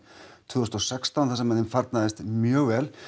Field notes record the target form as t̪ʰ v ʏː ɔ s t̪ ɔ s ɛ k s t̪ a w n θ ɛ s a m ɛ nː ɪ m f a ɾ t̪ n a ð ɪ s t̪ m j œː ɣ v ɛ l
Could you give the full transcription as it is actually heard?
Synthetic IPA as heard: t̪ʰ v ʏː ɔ s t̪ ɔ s ɛ k s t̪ a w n θ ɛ s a m ɛ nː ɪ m f a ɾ t̪ n a ð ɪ s t̪ m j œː ɣ v ɛ l

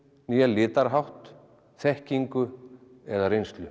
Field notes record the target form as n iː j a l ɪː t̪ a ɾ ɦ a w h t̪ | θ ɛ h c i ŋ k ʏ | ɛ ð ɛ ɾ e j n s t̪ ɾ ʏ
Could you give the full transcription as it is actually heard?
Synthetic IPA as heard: n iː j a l ɪː t̪ a ɾ ɦ a w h t̪ | θ ɛ h c i ŋ k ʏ | ɛ ð a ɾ e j n s t̪ l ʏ

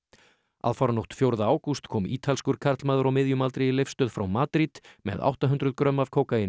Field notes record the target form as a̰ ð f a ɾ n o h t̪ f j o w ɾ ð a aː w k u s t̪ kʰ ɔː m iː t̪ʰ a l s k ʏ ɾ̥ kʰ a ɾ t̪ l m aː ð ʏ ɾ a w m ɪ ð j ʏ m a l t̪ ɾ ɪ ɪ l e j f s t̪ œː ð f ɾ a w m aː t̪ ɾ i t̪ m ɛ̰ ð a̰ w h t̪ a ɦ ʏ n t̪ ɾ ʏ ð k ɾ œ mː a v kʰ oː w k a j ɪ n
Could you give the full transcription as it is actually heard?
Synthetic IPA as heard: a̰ ð f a ɾ n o h t̪ f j o w ɾ ð a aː w k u s t̪ kʰ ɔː m iː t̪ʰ a l s k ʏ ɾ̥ kʰ a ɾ t̪ l m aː ð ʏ ɾ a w m ɪ ð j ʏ m a l t̪ ɾ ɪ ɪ l e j f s t̪ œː ð f ɾ a w m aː t̪ ɾ i t̪ m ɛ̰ ð a̰ w h t̪ a ɦ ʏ n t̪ ɾ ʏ ð k ɾ œ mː a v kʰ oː w k a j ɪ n

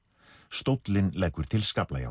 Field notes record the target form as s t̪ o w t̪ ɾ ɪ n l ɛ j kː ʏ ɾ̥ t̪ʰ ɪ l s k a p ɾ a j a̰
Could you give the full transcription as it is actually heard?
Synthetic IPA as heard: s t̪ o w t̪ l ɪ n l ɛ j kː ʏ ɾ̥ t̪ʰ ɪ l s k a p l a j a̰

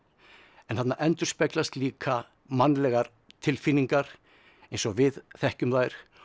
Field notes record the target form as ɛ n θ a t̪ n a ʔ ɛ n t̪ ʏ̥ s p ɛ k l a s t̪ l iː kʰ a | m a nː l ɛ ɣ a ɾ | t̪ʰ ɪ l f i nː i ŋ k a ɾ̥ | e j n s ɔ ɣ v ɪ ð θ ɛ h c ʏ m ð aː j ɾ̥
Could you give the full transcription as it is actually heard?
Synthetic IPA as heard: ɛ n θ a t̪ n a ʔ ɛ n t̪ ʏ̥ s p ɛ k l a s t̪ l iː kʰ a | m a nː l ɛ ɣ a ɾ | t̪ʰ ɪ l f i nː i ŋ k a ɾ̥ | e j n s ɔ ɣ v ɪ ð θ ɛ h c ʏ m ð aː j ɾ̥

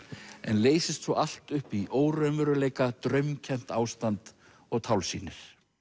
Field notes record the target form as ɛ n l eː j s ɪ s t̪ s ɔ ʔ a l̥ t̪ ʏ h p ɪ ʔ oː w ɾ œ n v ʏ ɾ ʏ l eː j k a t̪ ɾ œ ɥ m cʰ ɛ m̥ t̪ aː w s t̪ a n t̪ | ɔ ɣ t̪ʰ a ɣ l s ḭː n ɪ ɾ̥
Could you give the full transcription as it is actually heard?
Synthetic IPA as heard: ɛ n l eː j s ɪ s t̪ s ɔ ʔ a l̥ t̪ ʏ h p i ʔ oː w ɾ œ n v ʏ ɾ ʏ l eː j k a t̪ ɾ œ ɥ m cʰ ɛ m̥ t̪ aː w s t̪ a n t̪ | ɔ ɣ t̪ʰ a w l s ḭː n ɪ ɾ̥

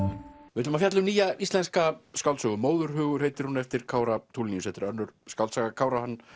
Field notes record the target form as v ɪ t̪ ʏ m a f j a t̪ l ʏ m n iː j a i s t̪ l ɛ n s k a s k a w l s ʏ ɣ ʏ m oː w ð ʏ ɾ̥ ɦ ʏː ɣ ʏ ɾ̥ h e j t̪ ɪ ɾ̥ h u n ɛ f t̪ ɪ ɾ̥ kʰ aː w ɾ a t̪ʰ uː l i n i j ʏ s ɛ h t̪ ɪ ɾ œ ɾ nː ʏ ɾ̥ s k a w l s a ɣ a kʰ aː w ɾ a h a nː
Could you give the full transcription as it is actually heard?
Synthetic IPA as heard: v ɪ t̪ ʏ m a f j a t̪ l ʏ m n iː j a i s t̪ l ɛ n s k a s k a w l s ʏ ɣ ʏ m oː w ð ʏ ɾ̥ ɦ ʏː ɣ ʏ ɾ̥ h e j t̪ ɪ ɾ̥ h u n ɛ f t̪ ɪ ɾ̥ kʰ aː w ɾ a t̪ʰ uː l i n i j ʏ s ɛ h t̪ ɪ ɾ œ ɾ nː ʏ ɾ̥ s k a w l s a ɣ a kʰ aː w ɾ a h a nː

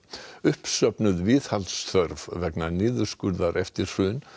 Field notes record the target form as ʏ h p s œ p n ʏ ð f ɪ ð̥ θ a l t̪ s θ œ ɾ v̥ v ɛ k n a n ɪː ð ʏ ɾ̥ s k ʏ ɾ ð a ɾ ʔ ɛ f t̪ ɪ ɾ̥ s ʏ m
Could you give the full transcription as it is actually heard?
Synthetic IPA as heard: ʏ h p s œ p n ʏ ð v ɪ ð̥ h a l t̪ s θ œ ɾ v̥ v ɛ k n a n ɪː ð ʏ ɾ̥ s k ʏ ɾ ð a ɾ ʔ ɛ f t̪ ɪ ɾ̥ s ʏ n

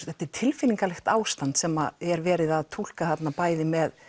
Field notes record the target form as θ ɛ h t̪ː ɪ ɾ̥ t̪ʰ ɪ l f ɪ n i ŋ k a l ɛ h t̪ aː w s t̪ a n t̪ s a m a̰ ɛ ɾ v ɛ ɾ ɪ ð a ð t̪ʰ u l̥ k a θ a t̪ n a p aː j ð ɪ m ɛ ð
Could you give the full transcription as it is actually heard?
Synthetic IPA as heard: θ ɛ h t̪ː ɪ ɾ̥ t̪ʰ ɪ l f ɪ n i ŋ k a l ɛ x t̪ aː w s t̪ a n t̪ s ɛ m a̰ ɛ ɾ v ɛː ɾ ɪ ð a ð t̪ʰ u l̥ k a θ a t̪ n a p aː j ð ɪ m ɛ ð

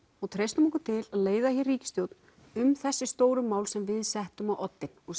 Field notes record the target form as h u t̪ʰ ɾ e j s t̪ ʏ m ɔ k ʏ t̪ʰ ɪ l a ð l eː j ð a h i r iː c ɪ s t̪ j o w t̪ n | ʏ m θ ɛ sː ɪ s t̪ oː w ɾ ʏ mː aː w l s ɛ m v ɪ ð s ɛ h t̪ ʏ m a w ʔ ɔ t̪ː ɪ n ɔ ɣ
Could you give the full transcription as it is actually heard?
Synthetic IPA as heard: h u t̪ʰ ɾ e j s t̪ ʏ m ɔ k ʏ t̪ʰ ɪ l a ð l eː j ð a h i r iː c ɪ s t̪ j o w t̪ n | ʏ m θ ɛ sː ɪ s t̪ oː w ɾ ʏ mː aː w l s ɛ m v ɪ ð s ɛ h t̪ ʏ m a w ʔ ɔ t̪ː ɪ n ɔ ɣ

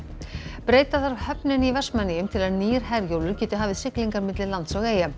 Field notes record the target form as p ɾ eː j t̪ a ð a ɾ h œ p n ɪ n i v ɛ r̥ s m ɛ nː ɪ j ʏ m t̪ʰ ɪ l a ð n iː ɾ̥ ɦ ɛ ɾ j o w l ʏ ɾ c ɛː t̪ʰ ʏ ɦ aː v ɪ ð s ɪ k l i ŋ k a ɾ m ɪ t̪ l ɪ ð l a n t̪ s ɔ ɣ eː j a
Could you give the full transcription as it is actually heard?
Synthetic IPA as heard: p ɾ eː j t̪ a ð a ɾ h œ p n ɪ n i v ɛ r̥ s m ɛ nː ɪ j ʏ m t̪ʰ ɪ l a ð n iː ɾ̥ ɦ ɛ ɾ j o w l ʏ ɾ c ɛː t̪ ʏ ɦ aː v ɪ ð s ɪ k l i ŋ k a ɾ m ɪ t̪ l ɪ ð l a n t̪ s ɔ ɣ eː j a

